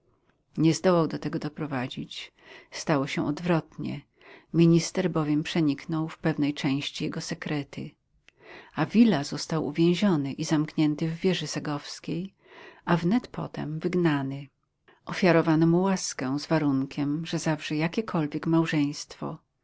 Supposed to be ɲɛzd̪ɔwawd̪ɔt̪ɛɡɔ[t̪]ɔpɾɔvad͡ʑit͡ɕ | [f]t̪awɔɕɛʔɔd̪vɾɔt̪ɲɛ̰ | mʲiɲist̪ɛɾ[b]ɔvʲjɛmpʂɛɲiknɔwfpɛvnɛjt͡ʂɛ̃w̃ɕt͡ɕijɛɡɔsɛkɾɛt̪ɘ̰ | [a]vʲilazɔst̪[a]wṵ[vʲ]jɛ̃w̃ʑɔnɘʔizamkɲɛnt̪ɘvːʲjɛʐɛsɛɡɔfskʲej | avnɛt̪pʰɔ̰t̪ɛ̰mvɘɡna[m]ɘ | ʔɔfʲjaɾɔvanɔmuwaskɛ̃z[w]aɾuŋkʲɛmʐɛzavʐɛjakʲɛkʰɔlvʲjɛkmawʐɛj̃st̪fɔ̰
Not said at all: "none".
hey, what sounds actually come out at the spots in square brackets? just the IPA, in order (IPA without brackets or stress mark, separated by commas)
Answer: d̪, s, b, a, a, vʲ, n, v